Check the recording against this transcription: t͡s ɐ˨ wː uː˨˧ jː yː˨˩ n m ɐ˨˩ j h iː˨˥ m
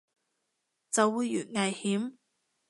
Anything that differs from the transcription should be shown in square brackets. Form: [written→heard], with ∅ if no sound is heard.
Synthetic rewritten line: t͡s ɐ˨ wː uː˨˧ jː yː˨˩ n [m→ŋ] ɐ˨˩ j h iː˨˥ m